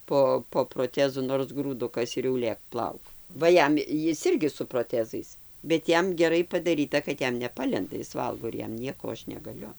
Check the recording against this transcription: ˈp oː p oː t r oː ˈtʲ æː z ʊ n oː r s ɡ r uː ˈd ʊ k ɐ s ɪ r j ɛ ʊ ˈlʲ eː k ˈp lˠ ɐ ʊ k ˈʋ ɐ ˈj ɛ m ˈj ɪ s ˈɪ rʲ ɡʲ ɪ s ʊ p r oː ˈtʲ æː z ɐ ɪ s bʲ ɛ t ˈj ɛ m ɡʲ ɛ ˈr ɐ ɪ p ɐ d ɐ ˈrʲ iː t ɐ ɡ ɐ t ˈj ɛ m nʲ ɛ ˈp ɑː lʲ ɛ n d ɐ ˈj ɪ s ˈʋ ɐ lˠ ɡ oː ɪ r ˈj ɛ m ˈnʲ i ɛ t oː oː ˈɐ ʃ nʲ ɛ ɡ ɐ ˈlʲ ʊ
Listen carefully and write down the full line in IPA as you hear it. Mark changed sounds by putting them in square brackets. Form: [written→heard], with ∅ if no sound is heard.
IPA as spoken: ˈp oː p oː [t→p] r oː ˈtʲ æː z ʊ n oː r s ɡ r uː ˈd ʊ k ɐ s ɪ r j ɛ ʊ ˈlʲ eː k ˈp lˠ ɐ ʊ k ˈʋ ɐ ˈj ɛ m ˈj ɪ s ˈɪ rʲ ɡʲ ɪ s ʊ p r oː ˈtʲ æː z ɐ ɪ s bʲ ɛ t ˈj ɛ m ɡʲ ɛ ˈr ɐ ɪ p ɐ d ɐ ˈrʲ iː t ɐ [ɡ→k] ɐ t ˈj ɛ m nʲ ɛ ˈp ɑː lʲ ɛ n d ɐ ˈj ɪ s ˈʋ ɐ lˠ ɡ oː ɪ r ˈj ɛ m ˈnʲ i ɛ [t→k] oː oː ˈɐ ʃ nʲ ɛ ɡ ɐ ˈlʲ ʊ

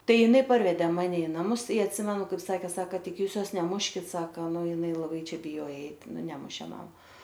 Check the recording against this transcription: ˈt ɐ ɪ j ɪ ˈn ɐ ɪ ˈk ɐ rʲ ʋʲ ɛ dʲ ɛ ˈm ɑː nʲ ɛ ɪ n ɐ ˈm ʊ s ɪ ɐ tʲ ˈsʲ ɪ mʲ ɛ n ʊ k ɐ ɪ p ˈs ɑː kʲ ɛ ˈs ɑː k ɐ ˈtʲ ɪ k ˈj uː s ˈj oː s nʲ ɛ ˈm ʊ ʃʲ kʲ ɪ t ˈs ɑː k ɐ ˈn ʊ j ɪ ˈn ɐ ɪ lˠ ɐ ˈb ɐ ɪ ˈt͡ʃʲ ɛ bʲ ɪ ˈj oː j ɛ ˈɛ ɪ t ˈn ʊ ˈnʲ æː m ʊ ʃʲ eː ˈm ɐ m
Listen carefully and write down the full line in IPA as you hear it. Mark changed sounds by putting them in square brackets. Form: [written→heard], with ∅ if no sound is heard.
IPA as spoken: ˈt ɐ ɪ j ɪ ˈn ɐ ɪ [ˈk→ˈp] ɐ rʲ ʋʲ ɛ dʲ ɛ ˈm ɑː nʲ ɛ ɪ n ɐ ˈm ʊ s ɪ ɐ tʲ ˈsʲ ɪ mʲ ɛ n ʊ k ɐ ɪ p ˈs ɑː kʲ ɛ ˈs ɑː k ɐ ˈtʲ ɪ k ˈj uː s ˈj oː s nʲ ɛ ˈm ʊ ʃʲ kʲ ɪ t ˈs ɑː k ɐ ˈn ʊ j ɪ ˈn ɐ ɪ lˠ ɐ ˈb ɐ ɪ ˈt͡ʃʲ ɛ bʲ ɪ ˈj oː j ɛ ˈɛ ɪ t ˈn ʊ ˈnʲ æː m ʊ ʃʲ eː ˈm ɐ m

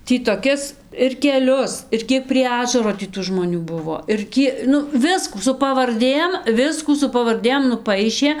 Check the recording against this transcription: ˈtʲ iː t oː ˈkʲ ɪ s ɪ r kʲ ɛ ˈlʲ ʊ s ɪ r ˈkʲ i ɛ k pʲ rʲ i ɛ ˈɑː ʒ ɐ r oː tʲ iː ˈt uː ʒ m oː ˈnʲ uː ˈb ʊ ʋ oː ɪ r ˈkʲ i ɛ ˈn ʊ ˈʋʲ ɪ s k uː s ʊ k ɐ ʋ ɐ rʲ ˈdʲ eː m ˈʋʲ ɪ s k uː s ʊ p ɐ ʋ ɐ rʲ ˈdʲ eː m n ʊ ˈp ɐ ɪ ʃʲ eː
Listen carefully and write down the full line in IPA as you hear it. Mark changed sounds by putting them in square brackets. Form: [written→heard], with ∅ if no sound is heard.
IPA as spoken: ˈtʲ iː t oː ˈkʲ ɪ s ɪ r kʲ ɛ ˈlʲ ʊ s ɪ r ˈkʲ i ɛ k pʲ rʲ i ɛ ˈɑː ʒ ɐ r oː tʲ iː ˈt uː ʒ m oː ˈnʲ uː ˈb ʊ ʋ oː ɪ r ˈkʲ i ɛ ˈn ʊ ˈʋʲ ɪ s k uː s ʊ [k→p] ɐ ʋ ɐ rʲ ˈdʲ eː m ˈʋʲ ɪ s k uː s ʊ p ɐ ʋ ɐ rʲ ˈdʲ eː m n ʊ ˈp ɐ ɪ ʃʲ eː

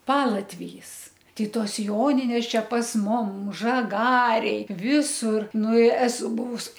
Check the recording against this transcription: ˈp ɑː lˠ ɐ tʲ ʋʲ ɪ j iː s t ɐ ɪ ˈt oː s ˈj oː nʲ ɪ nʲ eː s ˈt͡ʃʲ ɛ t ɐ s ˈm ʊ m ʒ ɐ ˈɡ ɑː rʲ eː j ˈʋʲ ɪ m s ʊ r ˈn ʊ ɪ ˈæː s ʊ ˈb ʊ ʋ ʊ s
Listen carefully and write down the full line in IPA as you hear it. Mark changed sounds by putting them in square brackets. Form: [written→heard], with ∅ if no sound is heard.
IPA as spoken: ˈp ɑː lˠ ɐ tʲ ʋʲ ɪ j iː s t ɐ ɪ ˈt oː s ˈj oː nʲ ɪ nʲ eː s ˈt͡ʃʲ ɛ [t→p] ɐ s ˈm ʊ m ʒ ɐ ˈɡ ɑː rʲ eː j ˈʋʲ ɪ [m→∅] s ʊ r ˈn ʊ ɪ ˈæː s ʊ ˈb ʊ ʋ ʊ s

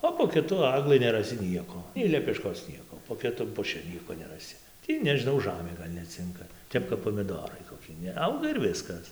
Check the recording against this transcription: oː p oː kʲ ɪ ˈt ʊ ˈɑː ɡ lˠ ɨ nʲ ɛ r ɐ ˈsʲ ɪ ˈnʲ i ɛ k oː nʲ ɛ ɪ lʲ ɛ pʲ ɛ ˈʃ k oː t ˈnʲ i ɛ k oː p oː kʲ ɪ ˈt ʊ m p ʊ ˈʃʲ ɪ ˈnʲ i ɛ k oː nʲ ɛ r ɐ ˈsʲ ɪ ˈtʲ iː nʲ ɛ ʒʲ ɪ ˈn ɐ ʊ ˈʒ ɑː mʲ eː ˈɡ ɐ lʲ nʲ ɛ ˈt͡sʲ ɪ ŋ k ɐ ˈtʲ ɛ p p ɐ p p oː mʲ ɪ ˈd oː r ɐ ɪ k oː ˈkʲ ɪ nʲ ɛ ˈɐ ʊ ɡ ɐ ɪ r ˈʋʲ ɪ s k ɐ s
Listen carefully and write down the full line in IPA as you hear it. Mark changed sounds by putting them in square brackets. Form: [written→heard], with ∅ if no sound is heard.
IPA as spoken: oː p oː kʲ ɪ ˈt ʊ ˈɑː ɡ lˠ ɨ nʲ ɛ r ɐ ˈsʲ ɪ ˈnʲ i ɛ k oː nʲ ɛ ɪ lʲ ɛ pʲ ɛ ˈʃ k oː [t→s] ˈnʲ i ɛ k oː p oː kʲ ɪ ˈt ʊ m p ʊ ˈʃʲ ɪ ˈnʲ i ɛ k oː nʲ ɛ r ɐ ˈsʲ ɪ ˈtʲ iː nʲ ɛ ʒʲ ɪ ˈn ɐ ʊ ˈʒ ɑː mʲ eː ˈɡ ɐ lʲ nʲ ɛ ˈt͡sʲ ɪ ŋ k ɐ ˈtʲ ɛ p [p→k] ɐ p p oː mʲ ɪ ˈd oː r ɐ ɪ k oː ˈkʲ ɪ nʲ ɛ ˈɐ ʊ ɡ ɐ ɪ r ˈʋʲ ɪ s k ɐ s

